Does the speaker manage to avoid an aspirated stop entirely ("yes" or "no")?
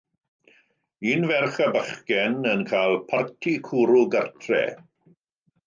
no